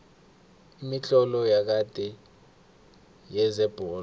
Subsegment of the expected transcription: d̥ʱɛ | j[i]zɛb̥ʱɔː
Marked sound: incorrect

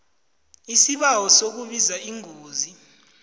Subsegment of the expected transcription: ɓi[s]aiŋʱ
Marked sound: incorrect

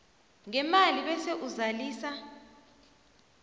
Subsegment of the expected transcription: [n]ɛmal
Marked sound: incorrect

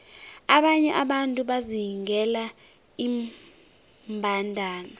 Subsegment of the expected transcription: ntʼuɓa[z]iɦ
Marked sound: correct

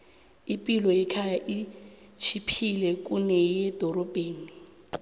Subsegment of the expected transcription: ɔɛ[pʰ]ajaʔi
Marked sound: incorrect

